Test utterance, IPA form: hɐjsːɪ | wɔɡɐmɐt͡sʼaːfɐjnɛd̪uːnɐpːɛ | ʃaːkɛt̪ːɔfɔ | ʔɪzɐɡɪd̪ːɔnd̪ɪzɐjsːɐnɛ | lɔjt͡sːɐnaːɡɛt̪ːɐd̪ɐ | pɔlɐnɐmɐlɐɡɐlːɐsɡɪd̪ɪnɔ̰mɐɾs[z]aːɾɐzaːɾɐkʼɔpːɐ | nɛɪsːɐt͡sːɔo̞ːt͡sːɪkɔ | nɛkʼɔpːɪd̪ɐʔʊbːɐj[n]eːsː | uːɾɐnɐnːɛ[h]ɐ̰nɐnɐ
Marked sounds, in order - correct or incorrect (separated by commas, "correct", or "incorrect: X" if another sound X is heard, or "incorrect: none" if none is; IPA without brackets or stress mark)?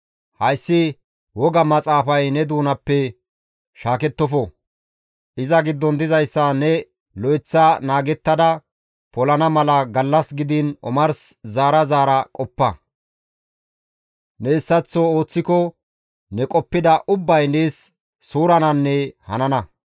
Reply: correct, correct, correct